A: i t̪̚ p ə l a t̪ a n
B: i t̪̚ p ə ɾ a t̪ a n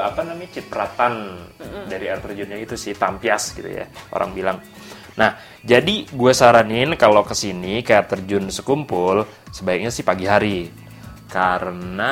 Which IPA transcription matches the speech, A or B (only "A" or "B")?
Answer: B